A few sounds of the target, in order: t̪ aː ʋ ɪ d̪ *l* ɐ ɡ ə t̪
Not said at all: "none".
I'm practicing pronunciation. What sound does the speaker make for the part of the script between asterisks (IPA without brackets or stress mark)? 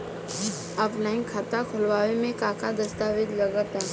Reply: l